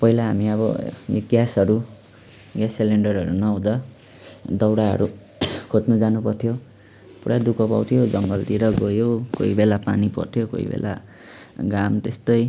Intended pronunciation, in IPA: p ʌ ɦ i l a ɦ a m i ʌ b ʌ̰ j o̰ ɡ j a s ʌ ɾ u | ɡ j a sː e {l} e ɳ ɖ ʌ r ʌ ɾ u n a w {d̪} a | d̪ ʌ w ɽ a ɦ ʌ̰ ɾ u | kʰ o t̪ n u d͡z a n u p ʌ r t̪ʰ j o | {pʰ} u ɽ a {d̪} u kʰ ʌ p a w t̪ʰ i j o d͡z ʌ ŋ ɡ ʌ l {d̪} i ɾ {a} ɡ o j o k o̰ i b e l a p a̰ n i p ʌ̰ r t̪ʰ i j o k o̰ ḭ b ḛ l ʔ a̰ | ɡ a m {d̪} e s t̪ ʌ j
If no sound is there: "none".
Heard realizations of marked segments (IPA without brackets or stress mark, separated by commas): l, d̪, p, d̪, t̪, ʌ, t̪